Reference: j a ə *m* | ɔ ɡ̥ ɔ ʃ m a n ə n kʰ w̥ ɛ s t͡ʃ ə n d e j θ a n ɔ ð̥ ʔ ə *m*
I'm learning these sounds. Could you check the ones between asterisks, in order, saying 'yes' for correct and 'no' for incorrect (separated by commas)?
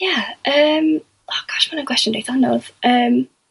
yes, yes